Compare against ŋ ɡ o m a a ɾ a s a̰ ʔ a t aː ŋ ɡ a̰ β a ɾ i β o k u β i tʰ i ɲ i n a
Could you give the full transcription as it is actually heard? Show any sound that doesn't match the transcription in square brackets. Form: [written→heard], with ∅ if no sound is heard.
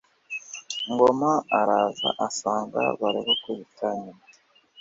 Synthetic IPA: ŋ ɡ o m a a ɾ a [s→z] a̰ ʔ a [t→s] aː ŋ ɡ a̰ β a ɾ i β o k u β i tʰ [i→a] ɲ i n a